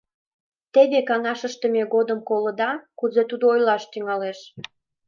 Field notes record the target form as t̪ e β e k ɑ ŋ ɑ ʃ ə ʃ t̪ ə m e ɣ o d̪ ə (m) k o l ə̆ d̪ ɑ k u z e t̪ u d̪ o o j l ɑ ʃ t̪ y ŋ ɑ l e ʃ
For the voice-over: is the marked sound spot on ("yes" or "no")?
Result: yes